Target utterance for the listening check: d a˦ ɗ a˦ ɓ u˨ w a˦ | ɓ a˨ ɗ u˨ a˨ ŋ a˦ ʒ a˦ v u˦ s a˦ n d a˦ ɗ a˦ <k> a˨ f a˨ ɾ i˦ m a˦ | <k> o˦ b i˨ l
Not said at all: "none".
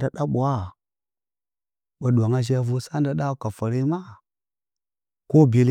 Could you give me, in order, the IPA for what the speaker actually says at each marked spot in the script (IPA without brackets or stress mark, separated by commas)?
k, k